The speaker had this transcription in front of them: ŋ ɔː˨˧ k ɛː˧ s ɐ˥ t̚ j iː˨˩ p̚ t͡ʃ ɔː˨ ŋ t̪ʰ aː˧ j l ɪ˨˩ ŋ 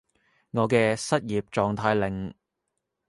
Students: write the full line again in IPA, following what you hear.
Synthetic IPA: ŋ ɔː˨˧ k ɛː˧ s ɐ˥ t̚ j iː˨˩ p̚ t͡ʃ ɔː˨ ŋ t̪ʰ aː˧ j l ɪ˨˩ ŋ